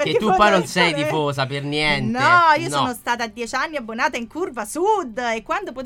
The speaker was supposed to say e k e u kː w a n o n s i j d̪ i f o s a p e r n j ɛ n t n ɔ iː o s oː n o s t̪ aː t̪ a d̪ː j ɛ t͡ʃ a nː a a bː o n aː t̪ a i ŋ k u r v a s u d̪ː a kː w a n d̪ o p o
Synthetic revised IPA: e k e u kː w a n o n s ɛ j d̪ i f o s a p e r n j ɛ n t n ɔ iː o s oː n o s t̪ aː t̪ a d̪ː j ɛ t͡ʃ a nː i a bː o n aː t̪ a i ŋ k u r v a s u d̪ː e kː w a n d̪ o p o